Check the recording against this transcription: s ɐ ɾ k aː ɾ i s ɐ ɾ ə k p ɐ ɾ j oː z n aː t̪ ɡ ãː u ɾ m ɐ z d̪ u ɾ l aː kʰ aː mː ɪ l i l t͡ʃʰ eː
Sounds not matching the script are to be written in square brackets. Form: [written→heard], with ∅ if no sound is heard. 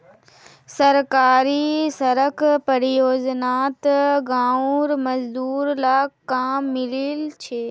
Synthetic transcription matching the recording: s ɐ ɾ k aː ɾ i s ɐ ɾ ə k p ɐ ɾ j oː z n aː t̪ ɡ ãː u ɾ m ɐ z d̪ [u→uː] ɾ l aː [kʰ→k] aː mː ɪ l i l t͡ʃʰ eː